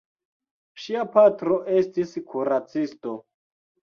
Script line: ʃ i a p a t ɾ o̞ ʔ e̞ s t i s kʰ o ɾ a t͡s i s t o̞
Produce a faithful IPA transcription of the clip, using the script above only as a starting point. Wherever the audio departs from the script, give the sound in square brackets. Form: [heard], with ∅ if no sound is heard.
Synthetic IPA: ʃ i a p a t ɾ o̞ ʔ e̞ s t i s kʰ [u] ɾ a t͡s i s t o̞